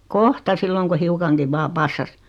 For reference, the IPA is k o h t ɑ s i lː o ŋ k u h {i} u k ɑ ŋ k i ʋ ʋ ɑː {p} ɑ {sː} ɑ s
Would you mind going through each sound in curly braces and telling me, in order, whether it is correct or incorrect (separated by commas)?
correct, correct, correct